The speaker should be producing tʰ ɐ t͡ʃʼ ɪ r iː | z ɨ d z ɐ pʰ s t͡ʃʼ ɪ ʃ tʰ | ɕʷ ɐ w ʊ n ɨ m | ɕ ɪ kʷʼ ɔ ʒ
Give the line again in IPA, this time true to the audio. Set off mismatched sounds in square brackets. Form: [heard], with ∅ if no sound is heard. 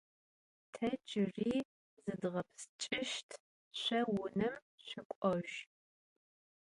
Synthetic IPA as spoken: tʰ ɐ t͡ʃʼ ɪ r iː | z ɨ d [ʁ] ɐ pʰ s t͡ʃʼ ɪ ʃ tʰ | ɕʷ ɐ w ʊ n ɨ m | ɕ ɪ kʷʼ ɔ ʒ